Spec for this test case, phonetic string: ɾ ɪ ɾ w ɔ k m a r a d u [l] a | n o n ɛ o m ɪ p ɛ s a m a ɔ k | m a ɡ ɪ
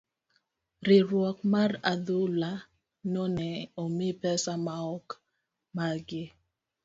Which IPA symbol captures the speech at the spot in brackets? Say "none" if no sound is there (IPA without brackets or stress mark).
l